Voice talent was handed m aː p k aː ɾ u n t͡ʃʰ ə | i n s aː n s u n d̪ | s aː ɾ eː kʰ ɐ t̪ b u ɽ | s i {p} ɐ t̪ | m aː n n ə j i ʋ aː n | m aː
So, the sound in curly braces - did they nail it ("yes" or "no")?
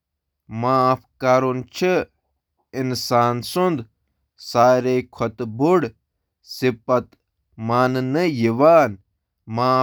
yes